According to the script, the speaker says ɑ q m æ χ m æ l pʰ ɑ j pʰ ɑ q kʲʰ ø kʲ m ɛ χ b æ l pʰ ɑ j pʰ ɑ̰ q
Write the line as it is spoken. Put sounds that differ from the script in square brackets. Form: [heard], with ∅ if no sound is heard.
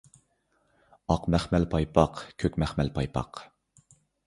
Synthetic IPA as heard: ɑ q m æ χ m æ l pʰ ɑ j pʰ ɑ q kʲʰ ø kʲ m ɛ χ [m] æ l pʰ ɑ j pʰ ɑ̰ q

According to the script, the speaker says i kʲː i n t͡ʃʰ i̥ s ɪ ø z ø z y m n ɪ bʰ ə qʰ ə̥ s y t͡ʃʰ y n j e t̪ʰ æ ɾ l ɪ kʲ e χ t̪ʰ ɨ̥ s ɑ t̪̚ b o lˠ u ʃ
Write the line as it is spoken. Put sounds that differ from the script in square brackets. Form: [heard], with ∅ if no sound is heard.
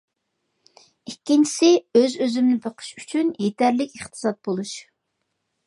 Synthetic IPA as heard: i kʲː i n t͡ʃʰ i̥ s ɪ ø z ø z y m n ɪ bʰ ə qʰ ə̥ [ʃ] y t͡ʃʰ y n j e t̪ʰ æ ɾ l ɪ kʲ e χ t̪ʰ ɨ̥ s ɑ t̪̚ b o lˠ u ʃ

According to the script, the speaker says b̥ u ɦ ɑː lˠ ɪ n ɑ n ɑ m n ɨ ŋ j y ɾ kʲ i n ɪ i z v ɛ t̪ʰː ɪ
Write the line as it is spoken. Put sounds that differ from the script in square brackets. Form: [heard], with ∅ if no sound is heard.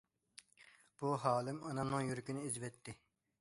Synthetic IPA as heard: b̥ u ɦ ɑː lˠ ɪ [m] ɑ n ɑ m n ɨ ŋ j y ɾ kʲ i n ɪ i z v ɛ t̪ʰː ɪ

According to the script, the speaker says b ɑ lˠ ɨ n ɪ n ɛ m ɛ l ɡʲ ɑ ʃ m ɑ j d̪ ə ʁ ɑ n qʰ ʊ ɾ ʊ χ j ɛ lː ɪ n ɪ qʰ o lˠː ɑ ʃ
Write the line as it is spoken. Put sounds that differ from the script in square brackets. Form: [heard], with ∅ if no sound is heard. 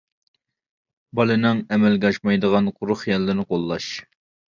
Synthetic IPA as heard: b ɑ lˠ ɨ n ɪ [ŋ] ɛ m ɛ l ɡʲ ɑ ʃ m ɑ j d̪ ə ʁ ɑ n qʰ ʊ ɾ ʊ χ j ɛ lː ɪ n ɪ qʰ o lˠː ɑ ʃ

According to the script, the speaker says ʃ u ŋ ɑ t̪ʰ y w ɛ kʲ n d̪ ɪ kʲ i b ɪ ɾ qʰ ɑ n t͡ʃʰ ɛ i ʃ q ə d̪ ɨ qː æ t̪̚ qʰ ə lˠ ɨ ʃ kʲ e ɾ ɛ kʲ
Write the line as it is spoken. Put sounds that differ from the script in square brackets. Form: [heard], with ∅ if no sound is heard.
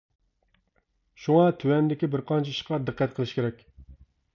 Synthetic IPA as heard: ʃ u ŋ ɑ t̪ʰ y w ɛ [∅] n d̪ ɪ kʲ i b ɪ ɾ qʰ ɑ n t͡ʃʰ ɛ i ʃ q [ɑ] d̪ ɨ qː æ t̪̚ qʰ ə lˠ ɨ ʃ kʲ e ɾ ɛ kʲ

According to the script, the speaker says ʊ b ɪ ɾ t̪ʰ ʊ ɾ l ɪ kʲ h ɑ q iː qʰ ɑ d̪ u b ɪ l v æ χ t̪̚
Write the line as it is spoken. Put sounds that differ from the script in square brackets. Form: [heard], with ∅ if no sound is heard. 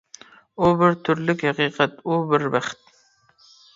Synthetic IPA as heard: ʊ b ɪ ɾ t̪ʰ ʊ ɾ l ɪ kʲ h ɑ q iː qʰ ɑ [t̪] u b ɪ [ɾ] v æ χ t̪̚

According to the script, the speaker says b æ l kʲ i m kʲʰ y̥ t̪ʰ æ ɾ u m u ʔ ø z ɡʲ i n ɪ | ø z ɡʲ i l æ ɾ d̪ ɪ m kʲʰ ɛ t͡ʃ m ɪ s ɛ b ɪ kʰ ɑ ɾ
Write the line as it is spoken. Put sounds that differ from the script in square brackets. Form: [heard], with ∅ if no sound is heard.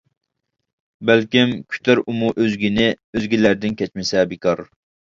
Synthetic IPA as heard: b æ l kʲ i m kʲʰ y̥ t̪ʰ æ ɾ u m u ʔ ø z ɡʲ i n ɪ | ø z ɡʲ i l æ ɾ d̪ ɪ [n] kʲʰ ɛ t͡ʃ m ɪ s ɛ b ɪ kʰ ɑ ɾ

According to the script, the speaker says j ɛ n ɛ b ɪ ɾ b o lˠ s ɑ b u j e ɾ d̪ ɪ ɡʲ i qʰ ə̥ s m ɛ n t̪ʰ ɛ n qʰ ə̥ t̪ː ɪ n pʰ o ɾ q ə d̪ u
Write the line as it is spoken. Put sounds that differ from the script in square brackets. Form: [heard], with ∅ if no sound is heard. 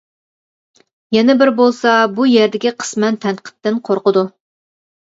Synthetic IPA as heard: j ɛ n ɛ b ɪ ɾ b o lˠ s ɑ b u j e ɾ d̪ ɪ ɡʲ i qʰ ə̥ s m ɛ n t̪ʰ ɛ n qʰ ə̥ t̪ː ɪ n [qʰ] o ɾ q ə d̪ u

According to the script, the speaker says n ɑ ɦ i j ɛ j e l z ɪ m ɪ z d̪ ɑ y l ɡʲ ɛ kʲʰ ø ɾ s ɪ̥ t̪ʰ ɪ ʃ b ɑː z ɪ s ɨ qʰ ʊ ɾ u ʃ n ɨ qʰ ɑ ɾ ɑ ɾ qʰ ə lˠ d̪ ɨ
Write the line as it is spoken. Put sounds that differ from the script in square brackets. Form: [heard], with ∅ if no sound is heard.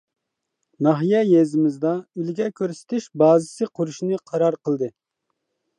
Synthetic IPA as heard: n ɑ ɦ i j ɛ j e [∅] z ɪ m ɪ z d̪ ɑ y l ɡʲ ɛ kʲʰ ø ɾ s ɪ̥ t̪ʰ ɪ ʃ b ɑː z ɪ s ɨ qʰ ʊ ɾ u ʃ n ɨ qʰ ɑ ɾ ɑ ɾ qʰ ə lˠ d̪ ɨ

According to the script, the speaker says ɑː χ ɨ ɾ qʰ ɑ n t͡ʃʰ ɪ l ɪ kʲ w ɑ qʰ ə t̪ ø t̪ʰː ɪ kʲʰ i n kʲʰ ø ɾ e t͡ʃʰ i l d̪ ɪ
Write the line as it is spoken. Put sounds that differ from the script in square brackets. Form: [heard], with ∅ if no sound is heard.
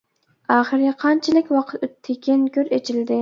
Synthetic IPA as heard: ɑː χ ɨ ɾ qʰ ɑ n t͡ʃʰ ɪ l ɪ kʲ w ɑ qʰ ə t̪ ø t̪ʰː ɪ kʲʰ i n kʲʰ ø ɾ e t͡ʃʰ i l d̪ ɪ

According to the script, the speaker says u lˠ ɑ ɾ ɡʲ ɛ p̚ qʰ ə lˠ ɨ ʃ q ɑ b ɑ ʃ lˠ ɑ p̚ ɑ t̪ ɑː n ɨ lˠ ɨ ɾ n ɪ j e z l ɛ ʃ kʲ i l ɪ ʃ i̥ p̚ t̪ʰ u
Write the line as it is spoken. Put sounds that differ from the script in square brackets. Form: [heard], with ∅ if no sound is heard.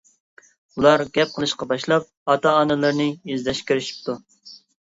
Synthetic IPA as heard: u lˠ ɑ ɾ ɡʲ ɛ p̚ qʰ ə lˠ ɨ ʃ q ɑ b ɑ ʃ lˠ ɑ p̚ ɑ t̪ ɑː n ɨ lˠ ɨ ɾ n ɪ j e z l ɛ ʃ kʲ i [ɾ] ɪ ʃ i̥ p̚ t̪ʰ u

